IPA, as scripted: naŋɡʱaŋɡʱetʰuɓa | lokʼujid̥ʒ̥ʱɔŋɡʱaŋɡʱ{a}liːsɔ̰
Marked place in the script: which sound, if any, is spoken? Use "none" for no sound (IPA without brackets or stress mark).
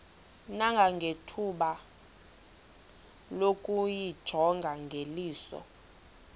e